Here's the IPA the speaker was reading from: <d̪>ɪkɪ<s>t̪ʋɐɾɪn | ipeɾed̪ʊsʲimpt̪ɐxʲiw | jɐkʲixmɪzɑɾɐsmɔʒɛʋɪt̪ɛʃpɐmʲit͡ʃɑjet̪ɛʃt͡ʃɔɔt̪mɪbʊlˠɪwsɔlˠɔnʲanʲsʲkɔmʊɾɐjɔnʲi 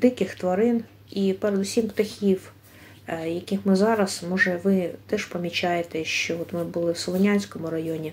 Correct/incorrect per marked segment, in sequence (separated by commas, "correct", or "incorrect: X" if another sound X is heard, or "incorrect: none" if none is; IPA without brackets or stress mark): correct, incorrect: x